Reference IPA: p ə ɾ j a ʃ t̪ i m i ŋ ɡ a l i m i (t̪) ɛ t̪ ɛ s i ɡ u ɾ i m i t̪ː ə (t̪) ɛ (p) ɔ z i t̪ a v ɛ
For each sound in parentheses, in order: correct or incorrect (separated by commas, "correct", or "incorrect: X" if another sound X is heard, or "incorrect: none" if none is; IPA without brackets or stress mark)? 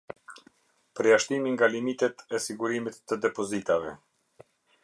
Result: correct, incorrect: d̪, correct